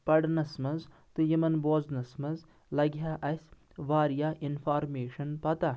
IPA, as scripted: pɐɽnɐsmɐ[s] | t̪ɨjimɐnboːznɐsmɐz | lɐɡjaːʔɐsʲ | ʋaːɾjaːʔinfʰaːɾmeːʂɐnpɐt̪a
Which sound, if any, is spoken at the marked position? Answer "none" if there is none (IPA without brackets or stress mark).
z